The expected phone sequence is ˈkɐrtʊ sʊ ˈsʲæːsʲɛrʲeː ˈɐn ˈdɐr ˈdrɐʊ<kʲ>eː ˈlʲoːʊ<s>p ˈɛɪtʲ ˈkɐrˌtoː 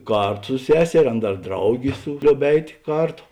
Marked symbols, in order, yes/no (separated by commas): no, no